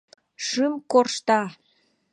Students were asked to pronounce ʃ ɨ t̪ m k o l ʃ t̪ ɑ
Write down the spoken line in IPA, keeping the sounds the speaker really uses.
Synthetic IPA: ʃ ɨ m k o r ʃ t̪ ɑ